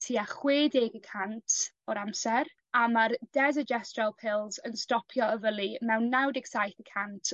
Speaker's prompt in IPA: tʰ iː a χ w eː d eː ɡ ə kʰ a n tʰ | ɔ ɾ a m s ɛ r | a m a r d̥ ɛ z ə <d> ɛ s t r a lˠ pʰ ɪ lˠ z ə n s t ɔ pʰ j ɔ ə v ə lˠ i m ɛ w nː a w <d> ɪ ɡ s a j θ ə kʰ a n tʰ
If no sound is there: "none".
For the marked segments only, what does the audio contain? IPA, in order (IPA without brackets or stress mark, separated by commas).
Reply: d͡ʒ, d